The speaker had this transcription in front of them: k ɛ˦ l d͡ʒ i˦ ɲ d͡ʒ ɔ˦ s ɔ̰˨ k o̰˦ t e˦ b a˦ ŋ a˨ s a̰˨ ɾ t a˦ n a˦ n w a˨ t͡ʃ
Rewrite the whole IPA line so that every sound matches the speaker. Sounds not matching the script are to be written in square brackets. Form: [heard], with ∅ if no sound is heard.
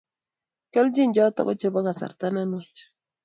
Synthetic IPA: k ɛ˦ l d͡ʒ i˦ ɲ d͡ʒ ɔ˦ [t] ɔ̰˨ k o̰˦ [t͡ʃ] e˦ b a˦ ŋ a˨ s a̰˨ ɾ t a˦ n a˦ n w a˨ t͡ʃ